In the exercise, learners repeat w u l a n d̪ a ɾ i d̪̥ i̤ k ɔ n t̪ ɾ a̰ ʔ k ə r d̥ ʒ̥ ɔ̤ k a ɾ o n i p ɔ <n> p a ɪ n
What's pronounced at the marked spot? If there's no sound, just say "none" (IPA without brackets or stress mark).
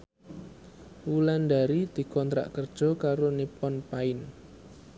n